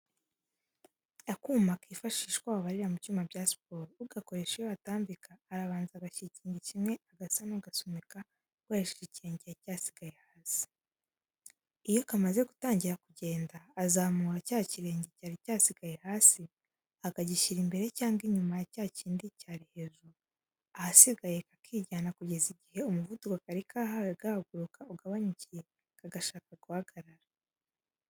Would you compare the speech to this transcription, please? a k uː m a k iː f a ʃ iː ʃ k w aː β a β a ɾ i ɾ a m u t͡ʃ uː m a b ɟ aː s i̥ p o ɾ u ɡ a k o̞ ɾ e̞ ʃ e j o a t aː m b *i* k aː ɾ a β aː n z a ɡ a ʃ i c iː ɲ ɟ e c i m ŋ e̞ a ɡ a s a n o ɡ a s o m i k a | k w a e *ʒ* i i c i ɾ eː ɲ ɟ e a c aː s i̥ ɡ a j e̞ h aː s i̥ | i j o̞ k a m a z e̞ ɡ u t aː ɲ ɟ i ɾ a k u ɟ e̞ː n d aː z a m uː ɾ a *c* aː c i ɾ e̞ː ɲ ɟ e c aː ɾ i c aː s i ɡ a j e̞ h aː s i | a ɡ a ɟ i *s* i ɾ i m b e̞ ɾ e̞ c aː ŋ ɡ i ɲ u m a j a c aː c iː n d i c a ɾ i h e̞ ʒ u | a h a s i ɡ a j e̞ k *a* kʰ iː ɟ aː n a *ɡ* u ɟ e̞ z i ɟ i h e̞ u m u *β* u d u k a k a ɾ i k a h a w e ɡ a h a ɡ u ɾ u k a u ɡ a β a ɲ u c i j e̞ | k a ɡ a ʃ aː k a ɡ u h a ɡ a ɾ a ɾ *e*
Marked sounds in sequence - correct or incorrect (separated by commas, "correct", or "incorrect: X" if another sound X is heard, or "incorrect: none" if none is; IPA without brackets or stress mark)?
correct, incorrect: ʃ, correct, incorrect: ʃ, correct, incorrect: k, incorrect: v, incorrect: a